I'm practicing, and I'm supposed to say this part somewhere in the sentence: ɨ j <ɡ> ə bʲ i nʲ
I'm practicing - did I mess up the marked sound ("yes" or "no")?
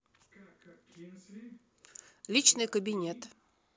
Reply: yes